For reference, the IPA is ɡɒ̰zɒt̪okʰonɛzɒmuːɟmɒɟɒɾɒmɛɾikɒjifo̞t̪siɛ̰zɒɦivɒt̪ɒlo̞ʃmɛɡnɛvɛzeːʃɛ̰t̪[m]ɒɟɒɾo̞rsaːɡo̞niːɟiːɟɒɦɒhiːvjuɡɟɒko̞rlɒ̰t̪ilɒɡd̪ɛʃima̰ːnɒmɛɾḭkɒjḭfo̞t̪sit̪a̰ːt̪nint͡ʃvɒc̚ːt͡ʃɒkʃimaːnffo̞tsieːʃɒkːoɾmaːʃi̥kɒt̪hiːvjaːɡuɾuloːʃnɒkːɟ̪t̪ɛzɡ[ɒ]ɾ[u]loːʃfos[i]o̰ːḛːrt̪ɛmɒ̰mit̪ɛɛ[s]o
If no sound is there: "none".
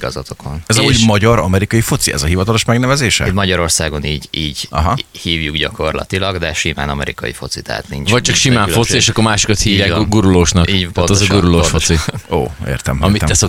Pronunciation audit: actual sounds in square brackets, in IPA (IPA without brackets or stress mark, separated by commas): m, u, u, i, s